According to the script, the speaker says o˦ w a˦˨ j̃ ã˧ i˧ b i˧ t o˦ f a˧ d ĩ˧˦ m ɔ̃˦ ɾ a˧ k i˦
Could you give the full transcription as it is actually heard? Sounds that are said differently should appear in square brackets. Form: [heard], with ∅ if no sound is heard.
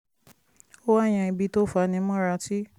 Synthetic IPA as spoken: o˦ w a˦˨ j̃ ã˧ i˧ b i˧ t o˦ f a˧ [n] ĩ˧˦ m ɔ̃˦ ɾ a˧ [t] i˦